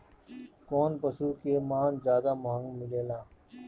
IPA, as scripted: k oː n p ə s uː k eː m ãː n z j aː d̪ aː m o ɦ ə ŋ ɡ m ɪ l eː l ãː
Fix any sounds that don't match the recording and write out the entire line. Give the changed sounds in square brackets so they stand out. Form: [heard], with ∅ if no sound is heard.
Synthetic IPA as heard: k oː n p ə s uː k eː m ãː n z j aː d̪ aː m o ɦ ə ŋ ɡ m ɪ l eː l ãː